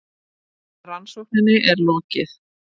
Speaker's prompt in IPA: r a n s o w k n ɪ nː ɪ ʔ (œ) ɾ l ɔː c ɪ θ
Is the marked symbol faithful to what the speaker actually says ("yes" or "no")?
no